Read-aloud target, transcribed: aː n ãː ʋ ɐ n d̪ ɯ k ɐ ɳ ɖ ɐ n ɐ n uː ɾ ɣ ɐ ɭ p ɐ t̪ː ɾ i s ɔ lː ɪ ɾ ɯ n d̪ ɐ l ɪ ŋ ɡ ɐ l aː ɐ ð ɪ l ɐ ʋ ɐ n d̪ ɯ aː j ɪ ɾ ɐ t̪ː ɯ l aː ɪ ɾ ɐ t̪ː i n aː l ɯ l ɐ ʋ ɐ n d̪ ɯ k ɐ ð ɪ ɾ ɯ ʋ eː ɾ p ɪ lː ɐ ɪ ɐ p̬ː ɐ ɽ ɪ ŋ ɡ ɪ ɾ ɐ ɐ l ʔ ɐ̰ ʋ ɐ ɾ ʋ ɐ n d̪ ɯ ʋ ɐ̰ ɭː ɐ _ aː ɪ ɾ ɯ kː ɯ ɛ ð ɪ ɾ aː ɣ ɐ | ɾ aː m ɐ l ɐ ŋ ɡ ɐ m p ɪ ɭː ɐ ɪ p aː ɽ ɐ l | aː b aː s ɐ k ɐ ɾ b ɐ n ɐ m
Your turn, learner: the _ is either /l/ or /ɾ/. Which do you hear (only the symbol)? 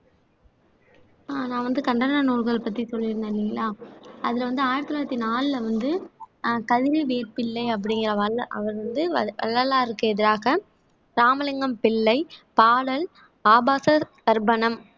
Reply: l